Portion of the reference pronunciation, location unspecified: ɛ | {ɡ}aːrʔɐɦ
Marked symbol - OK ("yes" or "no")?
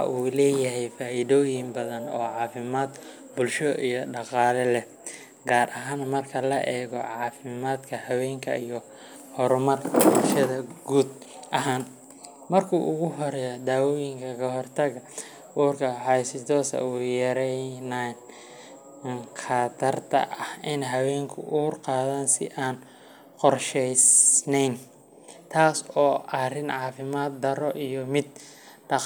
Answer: yes